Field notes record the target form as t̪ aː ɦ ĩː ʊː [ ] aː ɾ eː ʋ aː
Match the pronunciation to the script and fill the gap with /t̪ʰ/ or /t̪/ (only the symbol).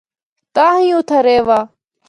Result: t̪ʰ